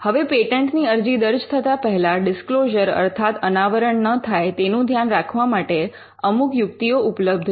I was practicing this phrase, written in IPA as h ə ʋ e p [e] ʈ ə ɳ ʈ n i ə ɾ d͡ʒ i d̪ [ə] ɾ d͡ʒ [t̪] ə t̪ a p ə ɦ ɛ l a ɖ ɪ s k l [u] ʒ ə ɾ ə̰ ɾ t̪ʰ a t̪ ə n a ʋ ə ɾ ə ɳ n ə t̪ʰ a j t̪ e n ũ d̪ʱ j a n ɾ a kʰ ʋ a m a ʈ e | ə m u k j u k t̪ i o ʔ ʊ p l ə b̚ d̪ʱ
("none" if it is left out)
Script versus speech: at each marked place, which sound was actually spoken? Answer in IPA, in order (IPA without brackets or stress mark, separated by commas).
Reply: e, ə, t̪ʰ, o